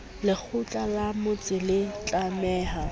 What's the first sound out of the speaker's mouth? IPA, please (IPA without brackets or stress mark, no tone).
l